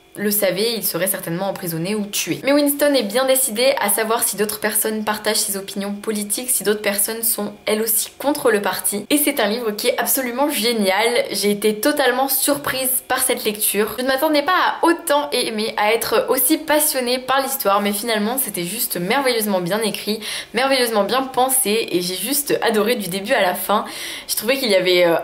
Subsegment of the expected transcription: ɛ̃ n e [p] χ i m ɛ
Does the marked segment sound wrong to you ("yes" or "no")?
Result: yes